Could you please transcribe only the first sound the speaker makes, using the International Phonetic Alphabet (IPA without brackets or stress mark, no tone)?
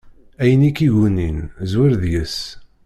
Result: æ